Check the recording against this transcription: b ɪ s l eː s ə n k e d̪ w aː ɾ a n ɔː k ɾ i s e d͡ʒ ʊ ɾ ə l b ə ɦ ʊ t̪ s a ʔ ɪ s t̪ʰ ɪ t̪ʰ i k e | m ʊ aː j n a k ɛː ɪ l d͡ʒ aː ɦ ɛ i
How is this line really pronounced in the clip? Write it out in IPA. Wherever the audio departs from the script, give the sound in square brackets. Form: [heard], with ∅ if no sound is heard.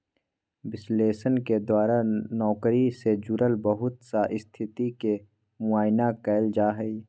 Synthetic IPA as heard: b ɪ s l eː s ə n k e d̪ w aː ɾ a n ɔː k ɾ i s e d͡ʒ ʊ ɾ ə l b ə ɦ ʊ t̪ s a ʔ ɪ s t̪ʰ ɪ [t̪] i k e | m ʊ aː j n a k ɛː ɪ l d͡ʒ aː ɦ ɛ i